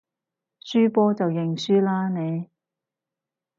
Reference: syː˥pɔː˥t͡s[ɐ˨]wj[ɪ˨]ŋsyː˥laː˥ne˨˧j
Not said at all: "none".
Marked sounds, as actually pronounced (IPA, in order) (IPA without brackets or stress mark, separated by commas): ɐ˨, ɪ˨